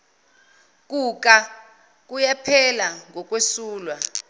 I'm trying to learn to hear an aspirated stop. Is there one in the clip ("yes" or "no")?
yes